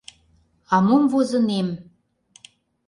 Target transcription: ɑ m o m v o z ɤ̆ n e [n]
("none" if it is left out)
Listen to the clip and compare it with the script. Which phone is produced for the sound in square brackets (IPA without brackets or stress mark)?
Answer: m